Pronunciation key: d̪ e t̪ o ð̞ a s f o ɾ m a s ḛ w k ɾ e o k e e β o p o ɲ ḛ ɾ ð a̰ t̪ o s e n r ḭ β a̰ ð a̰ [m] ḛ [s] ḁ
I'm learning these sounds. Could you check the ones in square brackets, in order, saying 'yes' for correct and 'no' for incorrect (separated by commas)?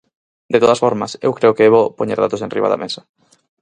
yes, yes